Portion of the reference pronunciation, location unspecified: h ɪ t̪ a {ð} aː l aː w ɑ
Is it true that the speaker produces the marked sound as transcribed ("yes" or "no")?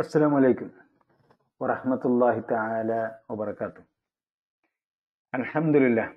no